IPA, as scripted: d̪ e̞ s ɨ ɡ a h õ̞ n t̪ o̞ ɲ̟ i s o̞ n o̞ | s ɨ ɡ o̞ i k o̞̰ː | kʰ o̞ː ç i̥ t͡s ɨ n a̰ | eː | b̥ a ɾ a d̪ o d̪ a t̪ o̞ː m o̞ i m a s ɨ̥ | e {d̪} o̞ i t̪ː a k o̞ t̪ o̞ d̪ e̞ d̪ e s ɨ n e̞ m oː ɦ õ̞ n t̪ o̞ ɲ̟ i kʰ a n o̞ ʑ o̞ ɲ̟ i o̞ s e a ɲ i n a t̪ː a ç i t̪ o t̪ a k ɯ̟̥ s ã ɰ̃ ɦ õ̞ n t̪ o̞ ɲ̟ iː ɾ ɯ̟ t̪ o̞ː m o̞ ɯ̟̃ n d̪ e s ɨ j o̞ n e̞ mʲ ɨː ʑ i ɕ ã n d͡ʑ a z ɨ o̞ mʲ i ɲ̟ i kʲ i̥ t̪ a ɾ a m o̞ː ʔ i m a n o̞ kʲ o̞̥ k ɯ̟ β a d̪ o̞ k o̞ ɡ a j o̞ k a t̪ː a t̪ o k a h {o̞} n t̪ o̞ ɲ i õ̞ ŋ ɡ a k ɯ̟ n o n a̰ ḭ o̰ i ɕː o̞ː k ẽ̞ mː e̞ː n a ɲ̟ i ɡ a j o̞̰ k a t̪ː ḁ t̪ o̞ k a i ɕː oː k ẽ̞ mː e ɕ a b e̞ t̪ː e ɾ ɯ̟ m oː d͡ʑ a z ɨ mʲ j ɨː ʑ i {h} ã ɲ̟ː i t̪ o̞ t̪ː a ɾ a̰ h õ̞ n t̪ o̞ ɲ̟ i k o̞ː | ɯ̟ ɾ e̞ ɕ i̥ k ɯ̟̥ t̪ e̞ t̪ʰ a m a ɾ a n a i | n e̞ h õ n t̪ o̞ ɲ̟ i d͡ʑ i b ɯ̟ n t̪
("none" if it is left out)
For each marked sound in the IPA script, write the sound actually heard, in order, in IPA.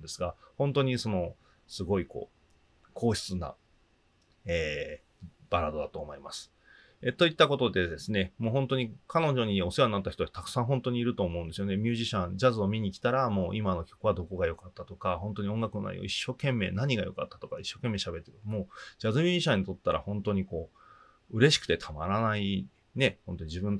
t̪, õ̞, ɕ

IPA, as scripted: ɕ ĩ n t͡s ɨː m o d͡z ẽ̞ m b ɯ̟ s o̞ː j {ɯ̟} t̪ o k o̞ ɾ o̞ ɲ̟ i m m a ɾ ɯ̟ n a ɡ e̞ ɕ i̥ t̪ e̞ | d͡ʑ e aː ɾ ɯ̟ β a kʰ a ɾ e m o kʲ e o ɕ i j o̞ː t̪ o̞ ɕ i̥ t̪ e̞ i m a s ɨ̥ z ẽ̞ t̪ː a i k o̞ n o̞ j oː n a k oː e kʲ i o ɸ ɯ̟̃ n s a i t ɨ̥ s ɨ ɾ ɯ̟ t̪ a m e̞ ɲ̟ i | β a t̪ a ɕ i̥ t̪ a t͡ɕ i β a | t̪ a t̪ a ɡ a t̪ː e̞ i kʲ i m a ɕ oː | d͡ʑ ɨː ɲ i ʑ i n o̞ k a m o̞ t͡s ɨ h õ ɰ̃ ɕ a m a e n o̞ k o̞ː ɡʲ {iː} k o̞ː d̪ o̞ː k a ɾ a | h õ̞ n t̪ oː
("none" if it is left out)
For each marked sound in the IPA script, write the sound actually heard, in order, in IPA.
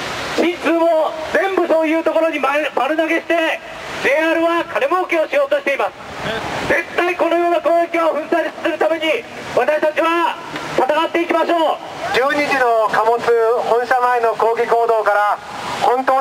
ɯ̟ː, i

